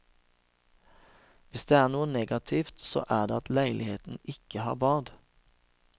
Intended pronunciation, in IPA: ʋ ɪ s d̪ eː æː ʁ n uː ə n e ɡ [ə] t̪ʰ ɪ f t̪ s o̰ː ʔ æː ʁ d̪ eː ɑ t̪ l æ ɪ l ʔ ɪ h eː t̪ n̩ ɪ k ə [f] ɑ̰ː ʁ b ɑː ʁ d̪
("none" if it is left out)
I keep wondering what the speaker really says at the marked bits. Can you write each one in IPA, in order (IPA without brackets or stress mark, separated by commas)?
ɑ, h